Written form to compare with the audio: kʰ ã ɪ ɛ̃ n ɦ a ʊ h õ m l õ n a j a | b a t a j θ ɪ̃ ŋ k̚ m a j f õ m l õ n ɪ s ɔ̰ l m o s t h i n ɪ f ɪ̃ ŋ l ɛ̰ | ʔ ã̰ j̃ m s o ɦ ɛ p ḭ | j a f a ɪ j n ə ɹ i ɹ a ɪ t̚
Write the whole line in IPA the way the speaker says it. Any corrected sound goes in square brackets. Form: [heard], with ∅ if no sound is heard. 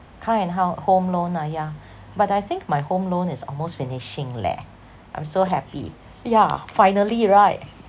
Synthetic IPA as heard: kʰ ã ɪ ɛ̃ n ɦ a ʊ h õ m l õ n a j a | b a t a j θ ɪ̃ ŋ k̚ m a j [h] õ m l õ n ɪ s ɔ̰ l m o s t [f] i n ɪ [ʃ] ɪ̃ ŋ l ɛ̰ | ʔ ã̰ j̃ m s o ɦ ɛ p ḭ | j a f a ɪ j n ə [l] i ɹ a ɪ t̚